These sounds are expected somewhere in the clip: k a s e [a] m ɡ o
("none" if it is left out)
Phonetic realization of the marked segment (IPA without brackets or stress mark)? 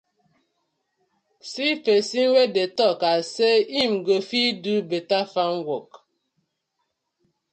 i